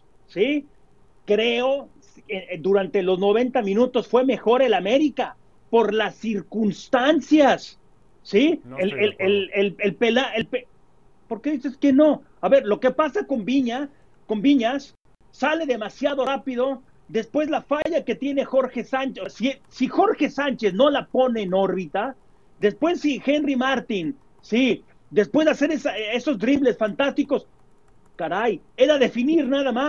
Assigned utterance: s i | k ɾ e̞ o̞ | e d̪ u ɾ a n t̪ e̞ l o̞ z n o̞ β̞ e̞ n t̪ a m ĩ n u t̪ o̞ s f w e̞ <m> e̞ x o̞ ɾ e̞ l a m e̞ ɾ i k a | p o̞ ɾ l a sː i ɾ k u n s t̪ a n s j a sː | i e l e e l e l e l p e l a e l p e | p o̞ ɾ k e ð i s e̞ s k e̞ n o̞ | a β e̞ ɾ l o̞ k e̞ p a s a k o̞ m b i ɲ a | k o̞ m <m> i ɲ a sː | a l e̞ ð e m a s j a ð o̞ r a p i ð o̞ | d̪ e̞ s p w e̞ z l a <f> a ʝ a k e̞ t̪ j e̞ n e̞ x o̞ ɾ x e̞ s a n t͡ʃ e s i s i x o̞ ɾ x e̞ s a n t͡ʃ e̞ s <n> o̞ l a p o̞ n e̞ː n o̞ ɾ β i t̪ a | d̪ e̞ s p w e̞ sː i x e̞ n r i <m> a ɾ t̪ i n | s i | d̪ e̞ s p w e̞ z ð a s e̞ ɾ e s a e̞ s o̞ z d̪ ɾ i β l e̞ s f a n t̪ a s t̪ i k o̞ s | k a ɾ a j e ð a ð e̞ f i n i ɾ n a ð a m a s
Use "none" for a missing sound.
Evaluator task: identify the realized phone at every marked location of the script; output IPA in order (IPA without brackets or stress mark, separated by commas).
m, b, f, n, m